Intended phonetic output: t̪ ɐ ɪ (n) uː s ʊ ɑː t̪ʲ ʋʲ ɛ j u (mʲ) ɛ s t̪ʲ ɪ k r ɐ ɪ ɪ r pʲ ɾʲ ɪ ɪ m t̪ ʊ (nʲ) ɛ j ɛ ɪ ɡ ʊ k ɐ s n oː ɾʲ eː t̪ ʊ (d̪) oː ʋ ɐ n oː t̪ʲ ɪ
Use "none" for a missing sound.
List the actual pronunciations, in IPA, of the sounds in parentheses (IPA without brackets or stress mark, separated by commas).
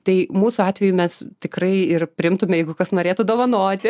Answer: m, mʲ, mʲ, d̪